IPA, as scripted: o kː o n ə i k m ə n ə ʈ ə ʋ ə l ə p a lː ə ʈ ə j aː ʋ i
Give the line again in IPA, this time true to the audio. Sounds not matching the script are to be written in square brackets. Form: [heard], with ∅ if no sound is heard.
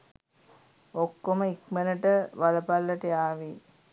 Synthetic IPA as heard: o kː o [m] ə i k m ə n ə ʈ ə ʋ [a] l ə p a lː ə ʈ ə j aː ʋ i